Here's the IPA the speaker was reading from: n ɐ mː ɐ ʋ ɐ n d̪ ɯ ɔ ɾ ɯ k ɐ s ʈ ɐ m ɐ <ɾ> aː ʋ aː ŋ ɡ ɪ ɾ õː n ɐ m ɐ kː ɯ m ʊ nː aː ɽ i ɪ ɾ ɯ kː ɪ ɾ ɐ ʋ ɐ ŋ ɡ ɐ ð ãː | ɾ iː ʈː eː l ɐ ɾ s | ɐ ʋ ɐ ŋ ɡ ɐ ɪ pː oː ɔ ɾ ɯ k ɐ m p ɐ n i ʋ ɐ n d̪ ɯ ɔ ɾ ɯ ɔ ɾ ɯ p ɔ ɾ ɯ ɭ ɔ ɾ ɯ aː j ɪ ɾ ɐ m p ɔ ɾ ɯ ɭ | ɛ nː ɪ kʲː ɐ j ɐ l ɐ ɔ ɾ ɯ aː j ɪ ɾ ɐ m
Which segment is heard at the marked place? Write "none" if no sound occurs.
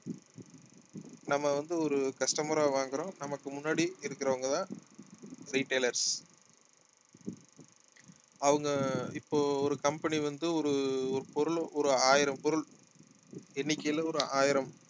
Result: ɾ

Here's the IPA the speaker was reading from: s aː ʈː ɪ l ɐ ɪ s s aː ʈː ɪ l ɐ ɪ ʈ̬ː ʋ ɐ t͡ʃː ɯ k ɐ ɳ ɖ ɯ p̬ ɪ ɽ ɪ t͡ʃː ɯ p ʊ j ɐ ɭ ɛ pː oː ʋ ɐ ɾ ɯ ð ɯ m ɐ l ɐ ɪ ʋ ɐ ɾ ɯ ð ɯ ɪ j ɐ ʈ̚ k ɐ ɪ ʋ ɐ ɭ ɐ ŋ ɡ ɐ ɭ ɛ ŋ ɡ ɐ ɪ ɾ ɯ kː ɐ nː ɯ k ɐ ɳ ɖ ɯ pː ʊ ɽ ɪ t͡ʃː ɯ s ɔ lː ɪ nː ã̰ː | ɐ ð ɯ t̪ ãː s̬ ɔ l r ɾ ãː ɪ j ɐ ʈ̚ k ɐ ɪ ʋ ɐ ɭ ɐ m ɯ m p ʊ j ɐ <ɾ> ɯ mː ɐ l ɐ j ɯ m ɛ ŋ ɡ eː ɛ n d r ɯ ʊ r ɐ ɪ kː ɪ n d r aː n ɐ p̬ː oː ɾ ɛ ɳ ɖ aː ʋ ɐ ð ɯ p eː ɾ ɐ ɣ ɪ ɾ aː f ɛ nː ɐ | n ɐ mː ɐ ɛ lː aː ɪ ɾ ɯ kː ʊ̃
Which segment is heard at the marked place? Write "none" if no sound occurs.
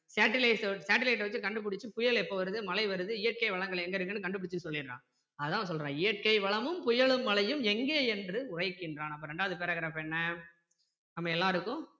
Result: ɭ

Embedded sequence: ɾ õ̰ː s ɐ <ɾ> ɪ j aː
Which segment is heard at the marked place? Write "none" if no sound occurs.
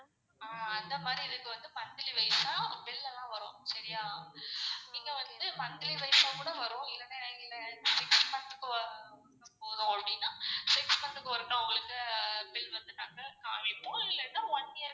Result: ɾ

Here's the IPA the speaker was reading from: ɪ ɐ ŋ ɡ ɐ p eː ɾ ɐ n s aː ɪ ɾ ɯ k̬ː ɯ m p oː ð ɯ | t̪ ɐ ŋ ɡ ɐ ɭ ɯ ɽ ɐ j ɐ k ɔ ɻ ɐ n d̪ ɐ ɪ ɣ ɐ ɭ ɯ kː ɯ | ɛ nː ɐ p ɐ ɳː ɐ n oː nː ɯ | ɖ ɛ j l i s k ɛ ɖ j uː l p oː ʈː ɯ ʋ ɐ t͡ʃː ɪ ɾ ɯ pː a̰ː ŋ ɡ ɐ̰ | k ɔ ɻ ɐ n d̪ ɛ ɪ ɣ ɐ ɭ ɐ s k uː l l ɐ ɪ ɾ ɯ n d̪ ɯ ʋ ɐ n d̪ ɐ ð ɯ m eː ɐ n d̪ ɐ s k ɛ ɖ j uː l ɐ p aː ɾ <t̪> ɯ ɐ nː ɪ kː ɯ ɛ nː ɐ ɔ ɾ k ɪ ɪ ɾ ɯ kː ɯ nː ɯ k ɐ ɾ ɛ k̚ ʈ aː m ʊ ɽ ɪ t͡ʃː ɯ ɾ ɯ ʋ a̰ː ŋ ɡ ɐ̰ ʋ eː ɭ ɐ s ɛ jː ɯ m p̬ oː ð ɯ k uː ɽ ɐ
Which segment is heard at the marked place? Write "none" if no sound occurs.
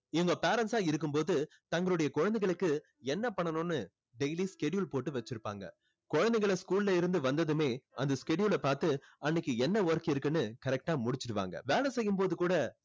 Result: t̪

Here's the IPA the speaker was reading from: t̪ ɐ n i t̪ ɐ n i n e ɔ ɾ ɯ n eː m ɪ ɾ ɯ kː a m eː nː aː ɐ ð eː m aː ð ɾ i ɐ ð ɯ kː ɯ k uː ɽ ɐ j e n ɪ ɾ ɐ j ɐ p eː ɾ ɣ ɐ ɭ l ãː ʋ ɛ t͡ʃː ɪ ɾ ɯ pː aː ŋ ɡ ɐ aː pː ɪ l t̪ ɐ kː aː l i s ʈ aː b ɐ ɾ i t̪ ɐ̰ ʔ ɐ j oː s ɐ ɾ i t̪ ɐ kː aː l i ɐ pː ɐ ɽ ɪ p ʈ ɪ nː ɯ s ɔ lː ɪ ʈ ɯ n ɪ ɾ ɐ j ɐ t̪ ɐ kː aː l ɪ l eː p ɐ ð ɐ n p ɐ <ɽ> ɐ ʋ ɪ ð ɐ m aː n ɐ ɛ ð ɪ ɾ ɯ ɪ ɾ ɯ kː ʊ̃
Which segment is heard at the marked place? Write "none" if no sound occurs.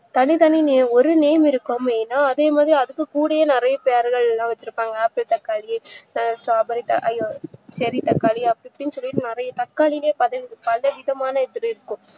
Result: l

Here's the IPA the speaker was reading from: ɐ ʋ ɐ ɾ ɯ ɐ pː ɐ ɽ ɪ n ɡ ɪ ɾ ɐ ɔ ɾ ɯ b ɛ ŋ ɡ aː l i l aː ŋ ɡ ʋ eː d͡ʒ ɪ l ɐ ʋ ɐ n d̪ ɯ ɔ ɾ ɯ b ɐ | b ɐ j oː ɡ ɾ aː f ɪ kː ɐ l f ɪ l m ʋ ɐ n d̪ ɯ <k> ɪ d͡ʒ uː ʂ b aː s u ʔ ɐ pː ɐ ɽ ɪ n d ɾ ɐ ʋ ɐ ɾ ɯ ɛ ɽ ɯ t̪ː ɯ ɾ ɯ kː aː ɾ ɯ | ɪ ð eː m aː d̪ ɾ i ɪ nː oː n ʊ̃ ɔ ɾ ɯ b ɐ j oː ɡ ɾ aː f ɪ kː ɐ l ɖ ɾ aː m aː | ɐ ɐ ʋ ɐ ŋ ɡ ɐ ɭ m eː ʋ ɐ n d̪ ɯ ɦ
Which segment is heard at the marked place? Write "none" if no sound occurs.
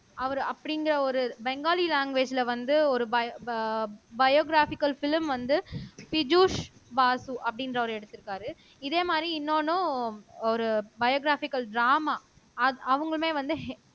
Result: p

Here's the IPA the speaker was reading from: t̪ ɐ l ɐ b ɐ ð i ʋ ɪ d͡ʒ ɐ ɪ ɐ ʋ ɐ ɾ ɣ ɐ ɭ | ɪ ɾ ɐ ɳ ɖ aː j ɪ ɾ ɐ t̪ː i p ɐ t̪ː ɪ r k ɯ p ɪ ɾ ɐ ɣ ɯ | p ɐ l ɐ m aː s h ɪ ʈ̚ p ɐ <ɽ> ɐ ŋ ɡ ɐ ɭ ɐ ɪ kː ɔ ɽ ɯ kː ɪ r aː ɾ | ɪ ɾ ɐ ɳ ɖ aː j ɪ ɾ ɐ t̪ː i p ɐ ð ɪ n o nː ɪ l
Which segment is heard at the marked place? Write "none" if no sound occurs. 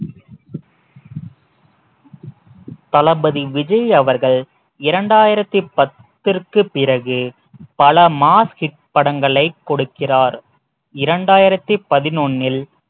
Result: ɽ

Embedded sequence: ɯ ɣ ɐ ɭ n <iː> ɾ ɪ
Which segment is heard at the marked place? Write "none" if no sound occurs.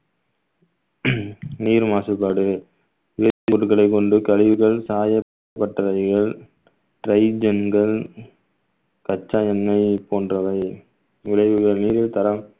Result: iː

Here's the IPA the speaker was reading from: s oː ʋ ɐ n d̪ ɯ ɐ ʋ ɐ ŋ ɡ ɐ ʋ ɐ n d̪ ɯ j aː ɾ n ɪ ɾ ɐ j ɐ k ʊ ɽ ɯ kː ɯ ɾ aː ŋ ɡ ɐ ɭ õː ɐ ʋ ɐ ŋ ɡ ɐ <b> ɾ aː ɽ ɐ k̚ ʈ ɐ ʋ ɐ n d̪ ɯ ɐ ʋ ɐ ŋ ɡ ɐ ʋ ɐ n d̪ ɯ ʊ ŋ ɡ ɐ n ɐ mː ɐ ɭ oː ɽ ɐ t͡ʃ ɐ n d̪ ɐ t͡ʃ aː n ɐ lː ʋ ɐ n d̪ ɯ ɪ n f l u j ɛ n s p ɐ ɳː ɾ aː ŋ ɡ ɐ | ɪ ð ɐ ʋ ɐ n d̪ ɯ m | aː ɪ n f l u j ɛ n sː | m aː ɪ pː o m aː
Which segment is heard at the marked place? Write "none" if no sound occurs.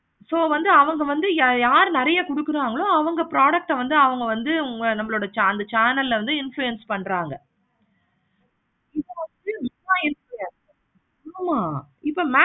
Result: p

